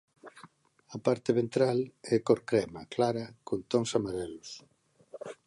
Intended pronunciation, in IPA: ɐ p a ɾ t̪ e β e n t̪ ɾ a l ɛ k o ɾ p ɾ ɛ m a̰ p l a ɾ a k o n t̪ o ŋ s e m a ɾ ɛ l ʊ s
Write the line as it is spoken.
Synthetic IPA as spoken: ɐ p a ɾ t̪ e β e n t̪ ɾ a l ɛ k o ɾ k ɾ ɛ m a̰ k l a ɾ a k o n t̪ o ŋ s a m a ɾ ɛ l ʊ s